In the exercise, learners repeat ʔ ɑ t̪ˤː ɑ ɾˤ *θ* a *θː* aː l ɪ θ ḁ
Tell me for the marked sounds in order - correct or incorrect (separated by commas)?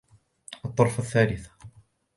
incorrect, correct